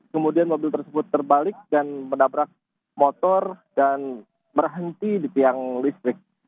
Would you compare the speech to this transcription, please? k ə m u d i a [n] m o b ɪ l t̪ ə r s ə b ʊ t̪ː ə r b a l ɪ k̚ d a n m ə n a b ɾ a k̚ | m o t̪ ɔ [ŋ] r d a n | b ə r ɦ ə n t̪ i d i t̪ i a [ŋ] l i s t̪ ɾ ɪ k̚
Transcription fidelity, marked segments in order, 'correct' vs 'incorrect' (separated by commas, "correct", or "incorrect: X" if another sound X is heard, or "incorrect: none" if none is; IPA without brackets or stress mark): correct, incorrect: none, correct